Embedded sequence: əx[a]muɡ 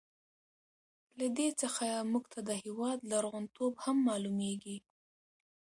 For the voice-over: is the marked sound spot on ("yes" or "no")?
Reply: yes